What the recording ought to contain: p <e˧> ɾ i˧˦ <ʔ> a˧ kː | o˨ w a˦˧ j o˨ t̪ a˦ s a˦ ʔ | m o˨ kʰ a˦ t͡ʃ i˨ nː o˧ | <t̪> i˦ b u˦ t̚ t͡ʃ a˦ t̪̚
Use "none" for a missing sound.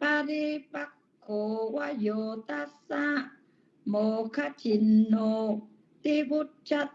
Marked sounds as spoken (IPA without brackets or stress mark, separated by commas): a˧, p, t̪